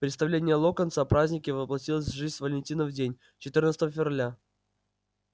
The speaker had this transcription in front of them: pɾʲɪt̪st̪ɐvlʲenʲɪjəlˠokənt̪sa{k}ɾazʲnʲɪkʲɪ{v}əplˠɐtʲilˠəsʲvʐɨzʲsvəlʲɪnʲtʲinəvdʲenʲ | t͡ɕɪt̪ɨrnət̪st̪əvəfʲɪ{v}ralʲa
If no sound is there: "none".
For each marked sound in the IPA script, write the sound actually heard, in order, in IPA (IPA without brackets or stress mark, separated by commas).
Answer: p, v, v